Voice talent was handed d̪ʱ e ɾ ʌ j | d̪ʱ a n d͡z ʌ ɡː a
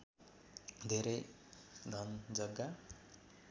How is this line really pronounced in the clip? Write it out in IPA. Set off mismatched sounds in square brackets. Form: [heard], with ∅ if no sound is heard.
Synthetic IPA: d̪ʱ e ɾ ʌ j | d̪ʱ [ʌ] n d͡z ʌ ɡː a